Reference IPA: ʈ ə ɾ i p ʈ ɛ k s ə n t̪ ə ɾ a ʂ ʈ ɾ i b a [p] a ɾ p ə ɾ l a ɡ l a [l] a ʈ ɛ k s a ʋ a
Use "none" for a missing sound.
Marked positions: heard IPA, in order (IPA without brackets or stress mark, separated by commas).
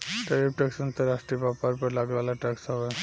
p, l